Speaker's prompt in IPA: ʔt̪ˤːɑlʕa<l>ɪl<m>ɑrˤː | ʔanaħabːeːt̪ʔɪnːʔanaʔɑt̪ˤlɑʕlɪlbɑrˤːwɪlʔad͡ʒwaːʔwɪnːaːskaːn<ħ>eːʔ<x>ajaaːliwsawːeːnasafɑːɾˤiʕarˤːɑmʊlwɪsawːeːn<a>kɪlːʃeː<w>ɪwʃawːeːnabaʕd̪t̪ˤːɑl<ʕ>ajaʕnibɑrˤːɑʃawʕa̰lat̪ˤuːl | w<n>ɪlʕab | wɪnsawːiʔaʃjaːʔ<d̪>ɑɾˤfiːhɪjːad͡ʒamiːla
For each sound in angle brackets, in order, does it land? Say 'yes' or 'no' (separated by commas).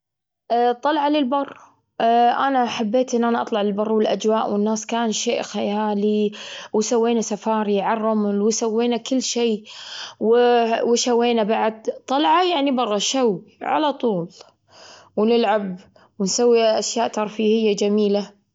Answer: yes, no, no, yes, yes, yes, yes, yes, no